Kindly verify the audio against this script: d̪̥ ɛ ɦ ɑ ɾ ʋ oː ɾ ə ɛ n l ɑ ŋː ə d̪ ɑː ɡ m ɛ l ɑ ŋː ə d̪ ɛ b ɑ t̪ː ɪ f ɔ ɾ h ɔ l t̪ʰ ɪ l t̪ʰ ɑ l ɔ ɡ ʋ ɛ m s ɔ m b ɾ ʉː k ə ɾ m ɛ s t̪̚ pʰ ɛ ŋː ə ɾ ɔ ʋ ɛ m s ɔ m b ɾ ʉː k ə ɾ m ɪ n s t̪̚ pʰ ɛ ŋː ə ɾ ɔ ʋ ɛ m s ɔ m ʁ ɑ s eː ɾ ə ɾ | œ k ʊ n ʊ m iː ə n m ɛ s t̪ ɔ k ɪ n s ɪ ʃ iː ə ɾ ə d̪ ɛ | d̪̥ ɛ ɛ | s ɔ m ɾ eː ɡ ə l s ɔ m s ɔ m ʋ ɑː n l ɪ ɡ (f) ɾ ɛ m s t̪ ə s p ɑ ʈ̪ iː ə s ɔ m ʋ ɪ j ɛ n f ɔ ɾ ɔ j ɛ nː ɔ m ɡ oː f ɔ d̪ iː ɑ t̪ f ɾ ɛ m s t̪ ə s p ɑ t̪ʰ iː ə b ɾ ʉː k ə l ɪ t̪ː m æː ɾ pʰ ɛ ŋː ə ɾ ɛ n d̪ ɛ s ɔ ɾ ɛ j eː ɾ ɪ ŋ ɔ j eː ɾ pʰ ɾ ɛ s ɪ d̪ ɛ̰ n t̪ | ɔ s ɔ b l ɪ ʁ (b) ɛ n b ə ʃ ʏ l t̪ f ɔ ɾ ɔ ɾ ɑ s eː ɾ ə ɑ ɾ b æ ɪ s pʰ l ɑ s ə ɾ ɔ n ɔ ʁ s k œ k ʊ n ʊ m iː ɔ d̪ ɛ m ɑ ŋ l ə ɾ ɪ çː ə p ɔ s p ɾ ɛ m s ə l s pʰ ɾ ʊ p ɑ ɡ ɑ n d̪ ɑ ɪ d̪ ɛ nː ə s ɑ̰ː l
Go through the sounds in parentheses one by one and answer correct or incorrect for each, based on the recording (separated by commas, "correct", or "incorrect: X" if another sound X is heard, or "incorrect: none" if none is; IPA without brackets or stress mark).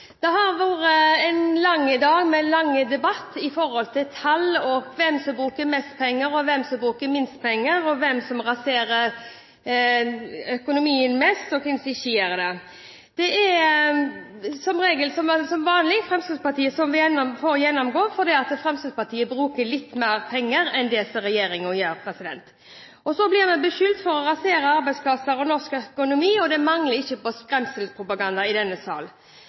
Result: correct, incorrect: m